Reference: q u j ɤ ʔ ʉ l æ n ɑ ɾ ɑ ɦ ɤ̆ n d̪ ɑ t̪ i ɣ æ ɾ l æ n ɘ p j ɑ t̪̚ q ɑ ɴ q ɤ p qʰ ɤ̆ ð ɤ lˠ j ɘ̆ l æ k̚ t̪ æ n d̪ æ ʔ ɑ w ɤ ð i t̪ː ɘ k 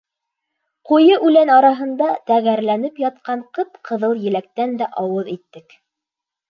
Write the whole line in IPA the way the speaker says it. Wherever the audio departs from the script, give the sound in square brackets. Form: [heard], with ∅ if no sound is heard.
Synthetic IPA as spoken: q u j ɤ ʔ ʉ l æ n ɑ ɾ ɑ ɦ ɤ̆ n d̪ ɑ t̪ [æ] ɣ æ ɾ l æ n ɘ p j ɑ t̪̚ q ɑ ɴ q ɤ p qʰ ɤ̆ ð ɤ lˠ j ɘ̆ l æ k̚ t̪ æ n d̪ æ ʔ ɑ w ɤ ð i t̪ː ɘ k